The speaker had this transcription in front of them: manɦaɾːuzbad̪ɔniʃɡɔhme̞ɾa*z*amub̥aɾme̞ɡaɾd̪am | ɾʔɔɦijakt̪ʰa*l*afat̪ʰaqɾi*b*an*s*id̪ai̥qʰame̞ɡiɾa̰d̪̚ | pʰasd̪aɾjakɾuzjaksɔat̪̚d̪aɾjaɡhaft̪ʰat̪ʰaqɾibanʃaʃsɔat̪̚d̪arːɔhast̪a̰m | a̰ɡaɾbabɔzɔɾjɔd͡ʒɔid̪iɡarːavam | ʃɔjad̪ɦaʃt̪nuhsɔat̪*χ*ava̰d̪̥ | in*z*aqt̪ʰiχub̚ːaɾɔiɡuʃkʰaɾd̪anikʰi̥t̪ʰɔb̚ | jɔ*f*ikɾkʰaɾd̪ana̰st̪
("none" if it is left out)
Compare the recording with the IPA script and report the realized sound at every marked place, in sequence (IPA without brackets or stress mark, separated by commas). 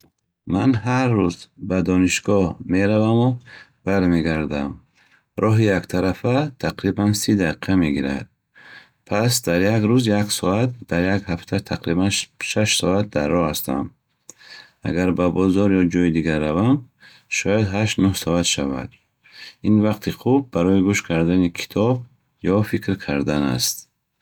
v, ɾ, b, s, ʃ, v, f